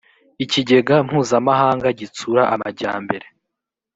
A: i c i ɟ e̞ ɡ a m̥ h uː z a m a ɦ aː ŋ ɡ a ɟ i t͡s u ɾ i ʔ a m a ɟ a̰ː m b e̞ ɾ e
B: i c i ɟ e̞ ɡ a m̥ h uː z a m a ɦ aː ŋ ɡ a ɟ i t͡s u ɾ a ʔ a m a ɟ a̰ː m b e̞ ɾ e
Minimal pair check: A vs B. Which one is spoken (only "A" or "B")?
B